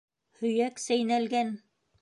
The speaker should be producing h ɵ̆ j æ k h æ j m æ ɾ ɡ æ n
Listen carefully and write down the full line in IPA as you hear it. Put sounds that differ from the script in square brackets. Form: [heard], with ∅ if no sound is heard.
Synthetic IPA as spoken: h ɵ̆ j æ k [s] æ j [n] æ [l] ɡ æ n